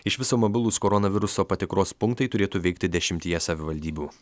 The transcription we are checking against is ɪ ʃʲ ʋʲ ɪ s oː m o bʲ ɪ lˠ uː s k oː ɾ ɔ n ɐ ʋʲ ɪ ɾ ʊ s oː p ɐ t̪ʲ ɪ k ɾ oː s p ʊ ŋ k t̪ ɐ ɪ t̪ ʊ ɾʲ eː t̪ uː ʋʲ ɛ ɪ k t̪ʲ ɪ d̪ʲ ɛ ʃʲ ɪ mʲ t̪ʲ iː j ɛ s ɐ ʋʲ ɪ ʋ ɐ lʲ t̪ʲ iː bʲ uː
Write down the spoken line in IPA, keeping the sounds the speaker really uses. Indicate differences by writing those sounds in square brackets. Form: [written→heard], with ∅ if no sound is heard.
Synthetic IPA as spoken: ɪ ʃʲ ʋʲ ɪ s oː m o bʲ ɪ lˠ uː s k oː ɾ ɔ n ɐ ʋʲ ɪ ɾ ʊ s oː p ɐ t̪ʲ ɪ k ɾ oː s p ʊ ŋ k t̪ ɐ ɪ t̪ ʊ ɾʲ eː t̪ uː ʋʲ ɛ ɪ k t̪ʲ ɪ d̪ʲ ɛ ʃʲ ɪ mʲ t̪ʲ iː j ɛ s ɐ ʋʲ ɪ ʋ ɐ lʲ [t̪ʲ→d̪ʲ] iː bʲ uː